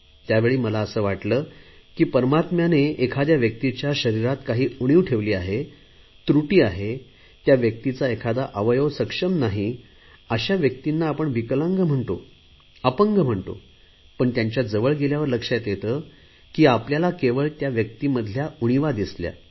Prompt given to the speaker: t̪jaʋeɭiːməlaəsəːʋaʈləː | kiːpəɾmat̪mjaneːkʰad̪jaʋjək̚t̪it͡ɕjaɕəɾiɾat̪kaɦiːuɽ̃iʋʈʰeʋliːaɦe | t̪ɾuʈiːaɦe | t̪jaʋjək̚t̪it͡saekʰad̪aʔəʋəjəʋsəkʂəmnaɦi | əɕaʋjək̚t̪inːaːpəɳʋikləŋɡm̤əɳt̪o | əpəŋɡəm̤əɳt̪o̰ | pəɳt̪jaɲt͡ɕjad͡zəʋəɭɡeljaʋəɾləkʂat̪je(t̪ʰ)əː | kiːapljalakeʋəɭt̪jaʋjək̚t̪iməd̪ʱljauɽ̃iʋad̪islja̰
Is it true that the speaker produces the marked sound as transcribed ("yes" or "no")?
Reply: no